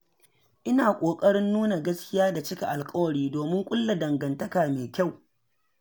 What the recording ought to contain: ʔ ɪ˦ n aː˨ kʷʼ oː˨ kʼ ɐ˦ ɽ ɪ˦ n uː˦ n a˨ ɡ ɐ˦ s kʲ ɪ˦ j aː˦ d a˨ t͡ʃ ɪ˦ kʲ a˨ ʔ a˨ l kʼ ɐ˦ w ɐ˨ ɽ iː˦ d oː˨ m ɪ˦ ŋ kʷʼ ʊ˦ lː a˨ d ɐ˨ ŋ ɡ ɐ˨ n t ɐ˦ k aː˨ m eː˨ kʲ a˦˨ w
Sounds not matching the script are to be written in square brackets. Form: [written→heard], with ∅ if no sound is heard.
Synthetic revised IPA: ʔ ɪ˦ n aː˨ kʷʼ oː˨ kʼ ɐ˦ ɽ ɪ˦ [n→nː] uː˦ n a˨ ɡ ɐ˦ s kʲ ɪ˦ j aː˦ d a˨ t͡ʃ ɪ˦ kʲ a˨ ʔ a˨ l kʼ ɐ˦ w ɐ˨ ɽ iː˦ d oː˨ m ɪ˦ ŋ kʷʼ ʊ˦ lː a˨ d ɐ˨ ŋ ɡ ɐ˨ n t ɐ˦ k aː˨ m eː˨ kʲ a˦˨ w